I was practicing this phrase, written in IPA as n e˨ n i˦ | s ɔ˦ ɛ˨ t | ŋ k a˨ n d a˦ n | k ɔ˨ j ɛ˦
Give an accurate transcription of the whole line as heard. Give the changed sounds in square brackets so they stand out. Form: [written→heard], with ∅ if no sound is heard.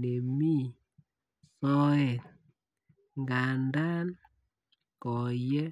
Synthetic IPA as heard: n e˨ [n→m] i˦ | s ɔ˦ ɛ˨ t | ŋ [k→ɡ] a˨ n d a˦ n | k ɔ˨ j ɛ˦